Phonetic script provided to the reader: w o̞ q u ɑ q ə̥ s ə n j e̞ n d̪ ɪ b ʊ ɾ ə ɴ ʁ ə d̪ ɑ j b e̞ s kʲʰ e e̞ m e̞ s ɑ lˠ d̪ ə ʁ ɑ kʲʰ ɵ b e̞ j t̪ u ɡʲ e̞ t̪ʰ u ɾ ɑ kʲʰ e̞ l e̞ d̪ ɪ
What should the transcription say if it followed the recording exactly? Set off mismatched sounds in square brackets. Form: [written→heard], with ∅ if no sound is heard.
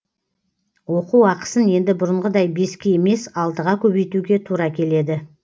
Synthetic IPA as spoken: w o̞ q u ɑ q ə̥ s ə n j e̞ n d̪ ɪ b ʊ ɾ ə ɴ ʁ ə d̪ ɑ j b e̞ s [kʲʰ→kʲ] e e̞ m e̞ s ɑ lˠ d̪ ə ʁ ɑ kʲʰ ɵ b e̞ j t̪ u ɡʲ e̞ t̪ʰ u ɾ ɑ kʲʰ e̞ l e̞ d̪ ɪ